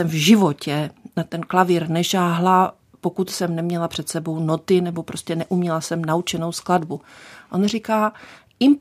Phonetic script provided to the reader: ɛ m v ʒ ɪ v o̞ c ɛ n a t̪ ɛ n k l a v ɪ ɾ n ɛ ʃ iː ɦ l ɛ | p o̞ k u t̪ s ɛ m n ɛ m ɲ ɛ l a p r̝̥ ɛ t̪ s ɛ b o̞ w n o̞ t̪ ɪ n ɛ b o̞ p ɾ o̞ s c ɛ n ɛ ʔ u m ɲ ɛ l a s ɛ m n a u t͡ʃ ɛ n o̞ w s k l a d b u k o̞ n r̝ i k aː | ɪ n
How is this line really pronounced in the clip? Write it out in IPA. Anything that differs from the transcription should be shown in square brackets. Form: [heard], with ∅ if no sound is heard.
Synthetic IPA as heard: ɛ m v ʒ ɪ v o̞ c ɛ n a t̪ ɛ n k l a v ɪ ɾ n ɛ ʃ [aː] ɦ l [a] | p o̞ k u t̪ s ɛ m n ɛ m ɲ ɛ l a p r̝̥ ɛ t̪ s ɛ b o̞ w n o̞ t̪ ɪ n ɛ b o̞ p ɾ o̞ s c ɛ n ɛ ʔ u m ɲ ɛ l a s ɛ m n a u t͡ʃ ɛ n o̞ w s k l a d b u [ʔ] o̞ n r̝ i k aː | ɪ [m]